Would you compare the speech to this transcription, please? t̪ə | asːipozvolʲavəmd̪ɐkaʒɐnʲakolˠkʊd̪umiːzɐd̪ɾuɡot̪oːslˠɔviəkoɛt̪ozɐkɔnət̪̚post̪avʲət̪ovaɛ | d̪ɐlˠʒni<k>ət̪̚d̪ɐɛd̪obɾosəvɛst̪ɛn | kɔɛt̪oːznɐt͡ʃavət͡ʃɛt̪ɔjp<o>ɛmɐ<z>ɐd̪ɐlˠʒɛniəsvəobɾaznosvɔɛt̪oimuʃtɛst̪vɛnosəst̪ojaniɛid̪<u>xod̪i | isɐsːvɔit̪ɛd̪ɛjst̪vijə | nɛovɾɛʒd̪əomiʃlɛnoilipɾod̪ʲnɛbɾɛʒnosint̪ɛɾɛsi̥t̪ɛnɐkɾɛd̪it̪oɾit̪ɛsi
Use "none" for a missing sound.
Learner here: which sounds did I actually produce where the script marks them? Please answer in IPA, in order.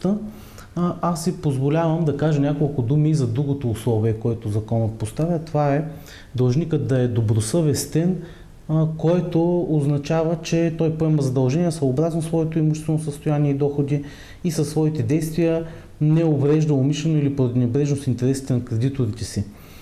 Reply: k, o, z, ɔ

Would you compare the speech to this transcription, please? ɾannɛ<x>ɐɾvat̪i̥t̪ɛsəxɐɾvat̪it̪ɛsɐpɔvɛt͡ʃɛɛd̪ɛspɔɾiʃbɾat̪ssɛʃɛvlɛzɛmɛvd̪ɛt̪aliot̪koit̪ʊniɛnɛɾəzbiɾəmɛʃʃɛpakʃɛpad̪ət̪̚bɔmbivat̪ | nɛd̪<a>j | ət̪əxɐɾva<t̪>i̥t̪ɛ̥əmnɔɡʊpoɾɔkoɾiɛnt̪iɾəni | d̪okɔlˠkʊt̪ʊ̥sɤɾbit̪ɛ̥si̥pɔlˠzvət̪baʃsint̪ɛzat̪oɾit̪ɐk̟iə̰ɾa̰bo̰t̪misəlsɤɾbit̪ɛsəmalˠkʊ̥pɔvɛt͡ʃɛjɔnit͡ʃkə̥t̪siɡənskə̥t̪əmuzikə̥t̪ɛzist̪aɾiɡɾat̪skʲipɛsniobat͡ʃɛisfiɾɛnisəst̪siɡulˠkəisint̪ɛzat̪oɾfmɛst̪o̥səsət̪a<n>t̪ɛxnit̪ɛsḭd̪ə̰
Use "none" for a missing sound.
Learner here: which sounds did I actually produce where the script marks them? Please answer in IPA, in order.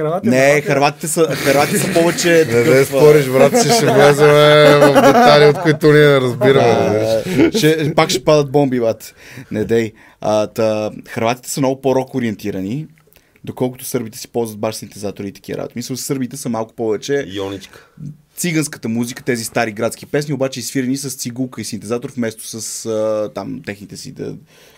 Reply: x, ɛ, t̪, m

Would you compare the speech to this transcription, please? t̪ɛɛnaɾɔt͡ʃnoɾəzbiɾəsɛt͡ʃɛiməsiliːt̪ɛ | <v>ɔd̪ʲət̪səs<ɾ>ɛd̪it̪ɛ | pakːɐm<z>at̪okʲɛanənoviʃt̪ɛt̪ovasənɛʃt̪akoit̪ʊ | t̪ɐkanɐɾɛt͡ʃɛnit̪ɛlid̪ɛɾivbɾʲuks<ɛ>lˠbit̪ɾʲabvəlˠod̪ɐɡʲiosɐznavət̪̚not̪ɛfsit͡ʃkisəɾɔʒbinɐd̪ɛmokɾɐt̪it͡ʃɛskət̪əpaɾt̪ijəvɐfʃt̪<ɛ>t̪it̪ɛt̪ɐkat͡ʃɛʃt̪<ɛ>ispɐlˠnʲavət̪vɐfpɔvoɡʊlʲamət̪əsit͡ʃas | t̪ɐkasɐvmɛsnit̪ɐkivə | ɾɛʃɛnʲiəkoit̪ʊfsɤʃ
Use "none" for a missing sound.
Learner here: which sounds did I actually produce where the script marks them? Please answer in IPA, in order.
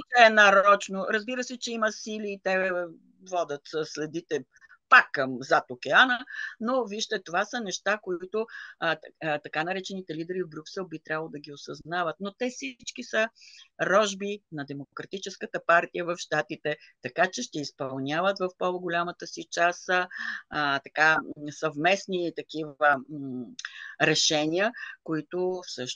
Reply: v, l, z, ɛ, a, ɛ

